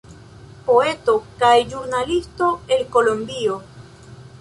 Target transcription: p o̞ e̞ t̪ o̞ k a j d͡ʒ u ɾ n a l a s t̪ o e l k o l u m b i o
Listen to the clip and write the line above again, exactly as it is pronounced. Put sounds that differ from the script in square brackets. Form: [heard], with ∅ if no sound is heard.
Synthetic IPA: p o̞ e̞ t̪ o̞ k a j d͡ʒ u ɾ n a l [i] s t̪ o e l k o l [o] m b i o